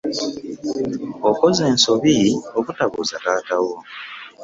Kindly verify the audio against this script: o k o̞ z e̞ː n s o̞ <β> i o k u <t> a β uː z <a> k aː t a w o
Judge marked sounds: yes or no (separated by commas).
yes, yes, yes